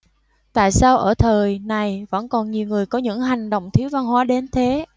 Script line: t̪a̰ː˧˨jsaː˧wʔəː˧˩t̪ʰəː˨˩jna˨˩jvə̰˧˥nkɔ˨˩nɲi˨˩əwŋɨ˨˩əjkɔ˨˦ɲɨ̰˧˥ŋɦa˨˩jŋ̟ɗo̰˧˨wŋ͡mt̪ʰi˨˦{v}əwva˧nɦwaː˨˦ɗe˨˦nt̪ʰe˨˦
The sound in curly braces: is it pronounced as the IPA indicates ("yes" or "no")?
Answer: no